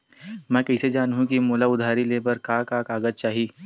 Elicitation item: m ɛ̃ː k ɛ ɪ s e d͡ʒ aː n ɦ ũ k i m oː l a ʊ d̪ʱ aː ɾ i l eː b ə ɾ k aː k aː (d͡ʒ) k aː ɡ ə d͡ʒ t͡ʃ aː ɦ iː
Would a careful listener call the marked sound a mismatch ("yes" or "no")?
yes